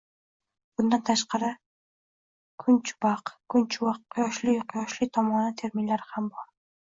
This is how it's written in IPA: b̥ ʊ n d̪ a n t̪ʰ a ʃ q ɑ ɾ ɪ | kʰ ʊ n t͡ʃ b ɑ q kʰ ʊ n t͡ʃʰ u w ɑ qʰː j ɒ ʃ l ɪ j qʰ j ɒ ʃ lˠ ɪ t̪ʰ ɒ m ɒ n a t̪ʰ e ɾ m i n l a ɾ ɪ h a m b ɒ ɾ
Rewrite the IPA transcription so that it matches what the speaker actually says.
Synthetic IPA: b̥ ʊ n d̪ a n t̪ʰ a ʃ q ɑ ɾ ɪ | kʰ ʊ n t͡ʃ b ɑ q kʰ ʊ n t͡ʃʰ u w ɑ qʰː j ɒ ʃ l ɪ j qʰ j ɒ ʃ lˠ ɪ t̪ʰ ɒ m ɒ n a t̪ʰ e ɾ m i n l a ɾ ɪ h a m b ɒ ɾ